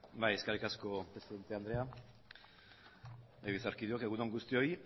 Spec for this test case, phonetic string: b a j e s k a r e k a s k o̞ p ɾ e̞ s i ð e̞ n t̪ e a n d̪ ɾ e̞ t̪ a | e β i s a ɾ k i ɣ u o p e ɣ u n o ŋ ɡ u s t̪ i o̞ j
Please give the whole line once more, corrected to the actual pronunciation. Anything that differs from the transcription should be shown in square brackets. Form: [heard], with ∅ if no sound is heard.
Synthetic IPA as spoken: b a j e s k a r [i] k a s k o̞ p ɾ e̞ s i ð e̞ n t̪ e a n d̪ ɾ e̞ [∅] a | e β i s a ɾ k i [ð] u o [k] e ɣ u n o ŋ ɡ u s t̪ i o̞ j